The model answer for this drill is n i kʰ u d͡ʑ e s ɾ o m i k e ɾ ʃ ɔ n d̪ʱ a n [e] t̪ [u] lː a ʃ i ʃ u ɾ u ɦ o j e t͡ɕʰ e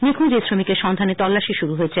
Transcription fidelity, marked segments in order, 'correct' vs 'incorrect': correct, incorrect: ɔ

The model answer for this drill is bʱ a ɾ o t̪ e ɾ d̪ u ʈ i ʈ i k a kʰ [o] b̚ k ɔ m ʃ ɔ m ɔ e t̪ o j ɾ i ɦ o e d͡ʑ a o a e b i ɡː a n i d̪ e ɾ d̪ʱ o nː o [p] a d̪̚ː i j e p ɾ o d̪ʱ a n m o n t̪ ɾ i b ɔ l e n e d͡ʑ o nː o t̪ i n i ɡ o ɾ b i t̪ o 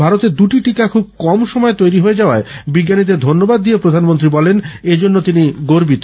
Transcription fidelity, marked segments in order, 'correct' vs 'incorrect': incorrect: u, incorrect: b

